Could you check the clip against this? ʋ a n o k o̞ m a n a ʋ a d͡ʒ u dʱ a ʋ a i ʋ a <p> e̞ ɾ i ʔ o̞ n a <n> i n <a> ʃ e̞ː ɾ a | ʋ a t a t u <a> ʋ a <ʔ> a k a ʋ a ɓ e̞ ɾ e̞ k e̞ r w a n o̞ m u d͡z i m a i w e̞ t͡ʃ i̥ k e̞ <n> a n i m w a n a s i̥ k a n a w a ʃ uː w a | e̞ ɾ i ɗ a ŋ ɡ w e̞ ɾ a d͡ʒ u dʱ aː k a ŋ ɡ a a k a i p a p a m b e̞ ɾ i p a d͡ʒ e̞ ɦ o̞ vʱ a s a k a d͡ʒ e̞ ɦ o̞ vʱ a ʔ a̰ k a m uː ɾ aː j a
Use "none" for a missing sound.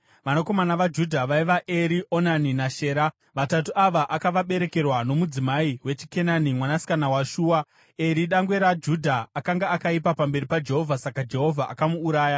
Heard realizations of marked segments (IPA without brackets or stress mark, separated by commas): ʔ, n, a, a, ʔ, n